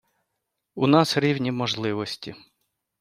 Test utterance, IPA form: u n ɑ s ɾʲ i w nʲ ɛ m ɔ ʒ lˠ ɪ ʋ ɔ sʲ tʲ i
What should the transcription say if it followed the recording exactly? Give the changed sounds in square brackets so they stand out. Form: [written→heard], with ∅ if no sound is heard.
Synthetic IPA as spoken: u n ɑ s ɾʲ i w nʲ [ɛ→i] m ɔ ʒ lˠ ɪ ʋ ɔ sʲ tʲ i